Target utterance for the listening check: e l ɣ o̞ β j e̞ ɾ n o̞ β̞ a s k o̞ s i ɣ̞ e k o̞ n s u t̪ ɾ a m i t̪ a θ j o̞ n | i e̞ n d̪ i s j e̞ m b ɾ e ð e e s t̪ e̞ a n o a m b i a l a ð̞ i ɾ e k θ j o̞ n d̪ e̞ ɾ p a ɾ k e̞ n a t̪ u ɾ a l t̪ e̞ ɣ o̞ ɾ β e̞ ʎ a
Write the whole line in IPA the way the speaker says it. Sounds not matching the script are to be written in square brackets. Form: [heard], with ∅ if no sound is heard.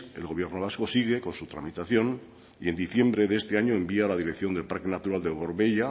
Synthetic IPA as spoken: e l ɣ o̞ β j e̞ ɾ n o̞ β̞ a s k o̞ s i ɣ̞ e k o̞ n s u t̪ ɾ a m i t̪ a θ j o̞ n | i e̞ n d̪ i [θ] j e̞ m b ɾ e ð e e s t̪ e̞ a [ɲ] o [e] m b i a l a ð̞ i ɾ e k θ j o̞ n d̪ e̞ [l] p a ɾ k e̞ n a t̪ u ɾ a l [d̪] e̞ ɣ o̞ ɾ β e̞ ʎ a